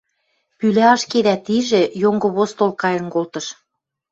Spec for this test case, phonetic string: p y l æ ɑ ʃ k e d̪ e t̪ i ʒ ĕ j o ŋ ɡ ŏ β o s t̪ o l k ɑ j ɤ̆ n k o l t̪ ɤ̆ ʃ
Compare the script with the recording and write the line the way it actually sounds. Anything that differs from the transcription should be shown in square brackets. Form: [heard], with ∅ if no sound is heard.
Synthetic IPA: p y l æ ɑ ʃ k e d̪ [æ] t̪ i ʒ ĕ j o ŋ ɡ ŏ β o s t̪ o l k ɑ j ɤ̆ n k o l t̪ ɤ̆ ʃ